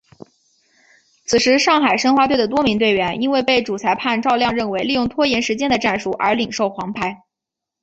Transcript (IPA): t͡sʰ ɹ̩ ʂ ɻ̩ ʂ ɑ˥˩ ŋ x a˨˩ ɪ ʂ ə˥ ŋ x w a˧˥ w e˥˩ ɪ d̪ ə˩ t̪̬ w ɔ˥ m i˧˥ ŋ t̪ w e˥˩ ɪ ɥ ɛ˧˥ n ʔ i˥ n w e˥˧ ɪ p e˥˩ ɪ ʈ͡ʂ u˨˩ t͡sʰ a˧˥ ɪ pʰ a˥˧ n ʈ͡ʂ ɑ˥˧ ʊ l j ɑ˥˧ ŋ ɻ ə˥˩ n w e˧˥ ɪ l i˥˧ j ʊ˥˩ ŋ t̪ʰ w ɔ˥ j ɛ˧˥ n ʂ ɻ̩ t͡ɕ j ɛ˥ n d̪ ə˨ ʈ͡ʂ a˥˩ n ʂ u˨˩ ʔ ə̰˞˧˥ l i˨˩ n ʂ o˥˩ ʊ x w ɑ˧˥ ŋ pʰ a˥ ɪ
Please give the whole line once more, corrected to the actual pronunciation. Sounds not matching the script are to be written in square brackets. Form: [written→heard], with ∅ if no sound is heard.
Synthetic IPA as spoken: t͡sʰ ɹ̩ ʂ ɻ̩ ʂ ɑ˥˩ ŋ x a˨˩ ɪ ʂ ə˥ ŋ x w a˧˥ w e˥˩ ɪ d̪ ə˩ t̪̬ w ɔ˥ m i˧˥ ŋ t̪ w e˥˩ ɪ ɥ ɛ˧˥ n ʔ i˥ n w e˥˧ ɪ p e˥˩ ɪ ʈ͡ʂ u˨˩ t͡sʰ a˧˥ ɪ pʰ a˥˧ n ʈ͡ʂ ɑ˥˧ ʊ l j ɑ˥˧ ŋ ɻ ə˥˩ n w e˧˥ ɪ l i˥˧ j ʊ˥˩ ŋ t̪ʰ w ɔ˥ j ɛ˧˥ n ʂ ɻ̩ t͡ɕ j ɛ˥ n d̪ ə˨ ʈ͡ʂ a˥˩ n ʂ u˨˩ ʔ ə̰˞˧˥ l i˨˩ [n→ŋ] ʂ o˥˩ ʊ x w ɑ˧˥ ŋ pʰ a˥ ɪ